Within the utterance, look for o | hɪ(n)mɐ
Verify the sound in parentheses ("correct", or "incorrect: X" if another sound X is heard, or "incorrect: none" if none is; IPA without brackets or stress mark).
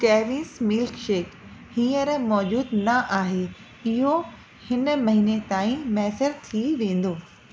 correct